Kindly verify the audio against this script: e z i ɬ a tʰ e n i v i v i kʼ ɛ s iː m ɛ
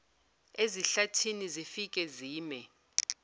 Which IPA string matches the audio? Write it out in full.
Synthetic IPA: e z i ɬ a tʰ i n i z i f i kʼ ɛ z iː m ɛ

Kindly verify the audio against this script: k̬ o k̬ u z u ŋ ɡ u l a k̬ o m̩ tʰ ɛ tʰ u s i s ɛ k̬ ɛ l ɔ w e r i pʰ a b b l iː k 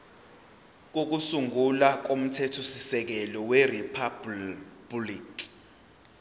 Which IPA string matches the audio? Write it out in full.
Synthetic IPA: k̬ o k̬ u s u ŋ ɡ u l a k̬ o m̩ tʰ ɛ tʰ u s i s ɛ k̬ ɛ l ɔ w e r i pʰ a b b l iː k

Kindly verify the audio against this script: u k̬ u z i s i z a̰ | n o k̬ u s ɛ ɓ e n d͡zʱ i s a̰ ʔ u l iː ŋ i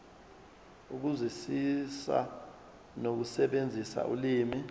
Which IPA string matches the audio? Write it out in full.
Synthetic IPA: u k̬ u z i s i s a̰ | n o k̬ u s ɛ ɓ e n d͡zʱ i s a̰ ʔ u l iː m i

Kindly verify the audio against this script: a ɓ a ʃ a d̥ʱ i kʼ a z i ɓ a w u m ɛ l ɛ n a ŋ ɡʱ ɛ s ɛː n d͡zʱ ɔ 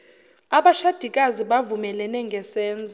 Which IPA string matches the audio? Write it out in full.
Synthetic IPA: a ɓ a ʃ a d̥ʱ i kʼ a z i ɓ a v u m ɛ l ɛ n ɛ ŋ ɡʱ ɛ s ɛː n d͡zʱ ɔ

